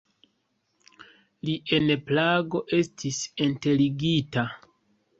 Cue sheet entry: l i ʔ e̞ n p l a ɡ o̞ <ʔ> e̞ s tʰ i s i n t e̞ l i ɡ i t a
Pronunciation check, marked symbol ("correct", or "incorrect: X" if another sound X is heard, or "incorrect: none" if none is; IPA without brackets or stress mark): correct